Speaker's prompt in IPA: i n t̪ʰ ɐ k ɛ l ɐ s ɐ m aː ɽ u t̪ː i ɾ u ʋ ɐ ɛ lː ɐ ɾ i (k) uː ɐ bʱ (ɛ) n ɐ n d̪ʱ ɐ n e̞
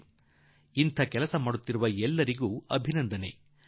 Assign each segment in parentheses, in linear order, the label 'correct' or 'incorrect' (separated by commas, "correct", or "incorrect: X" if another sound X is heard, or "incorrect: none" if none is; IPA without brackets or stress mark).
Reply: incorrect: ɡ, incorrect: i